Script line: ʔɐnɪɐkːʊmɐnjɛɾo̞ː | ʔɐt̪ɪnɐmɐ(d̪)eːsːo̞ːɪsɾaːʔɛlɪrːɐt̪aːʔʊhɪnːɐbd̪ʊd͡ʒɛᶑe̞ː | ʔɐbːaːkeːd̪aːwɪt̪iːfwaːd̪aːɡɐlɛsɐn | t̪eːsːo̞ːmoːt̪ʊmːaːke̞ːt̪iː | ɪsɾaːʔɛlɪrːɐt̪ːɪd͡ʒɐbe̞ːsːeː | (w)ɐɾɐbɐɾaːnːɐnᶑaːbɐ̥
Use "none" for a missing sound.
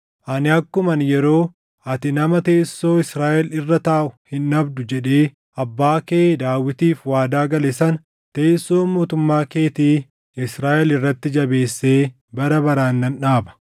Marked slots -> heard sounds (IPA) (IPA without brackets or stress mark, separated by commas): t̪, b